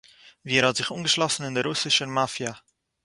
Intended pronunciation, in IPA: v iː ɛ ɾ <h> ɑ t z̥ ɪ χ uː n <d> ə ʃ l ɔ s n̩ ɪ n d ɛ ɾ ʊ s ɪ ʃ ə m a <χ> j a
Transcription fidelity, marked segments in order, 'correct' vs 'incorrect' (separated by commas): correct, incorrect, incorrect